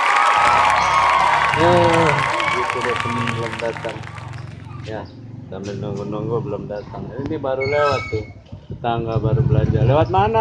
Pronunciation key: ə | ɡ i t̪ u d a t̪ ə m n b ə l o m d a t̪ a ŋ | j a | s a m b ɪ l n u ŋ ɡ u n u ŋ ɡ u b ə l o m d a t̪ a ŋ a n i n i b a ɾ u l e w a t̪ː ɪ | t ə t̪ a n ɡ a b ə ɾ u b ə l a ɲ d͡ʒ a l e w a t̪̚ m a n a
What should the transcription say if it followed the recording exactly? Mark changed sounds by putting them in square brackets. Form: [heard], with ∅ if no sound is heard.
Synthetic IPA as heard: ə | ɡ i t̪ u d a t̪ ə m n b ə l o m d a t̪ a ŋ | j a | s a m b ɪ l n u ŋ ɡ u n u ŋ ɡ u b ə l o m d a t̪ a ŋ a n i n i b a ɾ u l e w a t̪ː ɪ | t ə t̪ a [ŋ] ɡ a b [a] ɾ u b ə l a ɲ d͡ʒ a l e w a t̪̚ m a n a